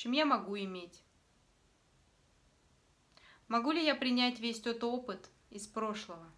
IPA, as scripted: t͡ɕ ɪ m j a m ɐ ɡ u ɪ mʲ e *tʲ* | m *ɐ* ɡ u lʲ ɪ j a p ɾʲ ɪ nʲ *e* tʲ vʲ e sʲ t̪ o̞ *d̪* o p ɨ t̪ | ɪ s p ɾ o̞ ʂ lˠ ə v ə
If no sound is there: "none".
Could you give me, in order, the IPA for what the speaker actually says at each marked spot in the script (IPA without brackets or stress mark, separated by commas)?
tʲ, ɐ, æ, t̪